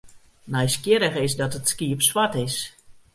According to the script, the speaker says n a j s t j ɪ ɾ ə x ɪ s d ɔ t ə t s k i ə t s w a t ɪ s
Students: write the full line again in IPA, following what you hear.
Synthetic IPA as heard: n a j s k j ɪ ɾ ə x ɪ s d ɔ t ə t s k i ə p s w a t ɪ s